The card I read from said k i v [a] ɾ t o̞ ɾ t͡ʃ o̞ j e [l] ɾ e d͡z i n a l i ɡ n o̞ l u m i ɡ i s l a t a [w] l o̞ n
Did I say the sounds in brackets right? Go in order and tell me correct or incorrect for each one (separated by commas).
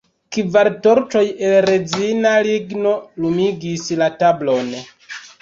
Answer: correct, correct, incorrect